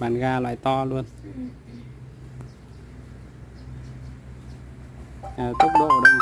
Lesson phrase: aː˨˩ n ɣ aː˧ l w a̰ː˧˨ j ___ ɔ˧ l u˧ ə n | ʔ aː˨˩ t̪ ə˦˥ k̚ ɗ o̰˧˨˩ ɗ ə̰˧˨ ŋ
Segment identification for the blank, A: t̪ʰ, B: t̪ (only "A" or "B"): B